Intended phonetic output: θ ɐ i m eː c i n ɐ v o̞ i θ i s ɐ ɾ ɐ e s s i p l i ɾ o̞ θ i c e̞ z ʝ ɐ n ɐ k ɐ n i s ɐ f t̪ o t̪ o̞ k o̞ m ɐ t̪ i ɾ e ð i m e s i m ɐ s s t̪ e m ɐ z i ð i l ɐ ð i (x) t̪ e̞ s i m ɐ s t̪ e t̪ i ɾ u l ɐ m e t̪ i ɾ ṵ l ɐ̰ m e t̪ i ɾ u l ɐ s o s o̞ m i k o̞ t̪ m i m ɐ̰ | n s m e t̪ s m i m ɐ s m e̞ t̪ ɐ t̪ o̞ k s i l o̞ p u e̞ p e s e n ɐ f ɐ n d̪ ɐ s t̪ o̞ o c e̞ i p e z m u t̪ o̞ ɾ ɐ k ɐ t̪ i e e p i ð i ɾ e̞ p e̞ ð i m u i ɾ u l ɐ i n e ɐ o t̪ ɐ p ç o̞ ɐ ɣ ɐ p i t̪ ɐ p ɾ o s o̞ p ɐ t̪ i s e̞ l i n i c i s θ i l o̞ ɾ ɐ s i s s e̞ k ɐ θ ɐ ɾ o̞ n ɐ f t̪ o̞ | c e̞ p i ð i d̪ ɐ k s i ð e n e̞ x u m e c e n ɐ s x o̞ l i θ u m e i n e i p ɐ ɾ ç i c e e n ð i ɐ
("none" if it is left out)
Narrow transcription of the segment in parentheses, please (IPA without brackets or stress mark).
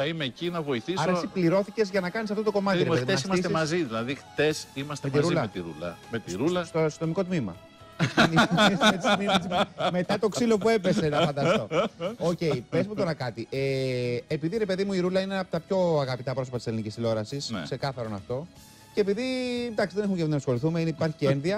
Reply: x